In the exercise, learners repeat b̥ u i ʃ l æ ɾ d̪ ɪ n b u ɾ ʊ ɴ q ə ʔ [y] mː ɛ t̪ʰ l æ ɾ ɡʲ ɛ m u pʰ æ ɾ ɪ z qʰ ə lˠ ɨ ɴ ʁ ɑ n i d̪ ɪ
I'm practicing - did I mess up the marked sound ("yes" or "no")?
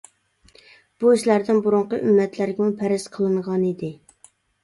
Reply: no